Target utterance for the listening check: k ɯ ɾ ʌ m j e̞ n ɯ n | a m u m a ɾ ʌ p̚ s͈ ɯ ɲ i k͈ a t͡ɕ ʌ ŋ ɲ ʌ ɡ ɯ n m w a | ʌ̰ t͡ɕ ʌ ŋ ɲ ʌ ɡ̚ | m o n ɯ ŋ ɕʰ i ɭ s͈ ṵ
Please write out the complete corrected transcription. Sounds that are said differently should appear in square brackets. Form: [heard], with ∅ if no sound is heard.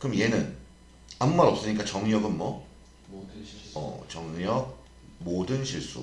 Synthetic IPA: k ɯ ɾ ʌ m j e̞ n ɯ n | a m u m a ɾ ʌ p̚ s͈ ɯ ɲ i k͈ a t͡ɕ ʌ ŋ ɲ ʌ ɡ ɯ n m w [ʌ] | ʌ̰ t͡ɕ ʌ ŋ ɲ ʌ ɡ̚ | m o [d] ɯ [n] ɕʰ i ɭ s͈ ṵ